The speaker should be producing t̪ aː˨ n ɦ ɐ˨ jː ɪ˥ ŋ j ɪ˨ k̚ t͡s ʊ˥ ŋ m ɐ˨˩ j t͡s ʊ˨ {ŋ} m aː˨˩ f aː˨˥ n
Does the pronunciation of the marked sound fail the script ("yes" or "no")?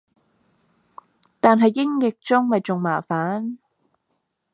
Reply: no